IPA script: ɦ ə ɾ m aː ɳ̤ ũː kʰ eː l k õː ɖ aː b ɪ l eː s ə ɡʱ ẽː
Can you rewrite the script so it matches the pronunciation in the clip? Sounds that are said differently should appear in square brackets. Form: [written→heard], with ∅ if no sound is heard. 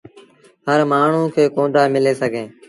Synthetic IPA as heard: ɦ ə ɾ m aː ɳ̤ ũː kʰ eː [l→∅] k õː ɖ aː [b→m] ɪ l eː s ə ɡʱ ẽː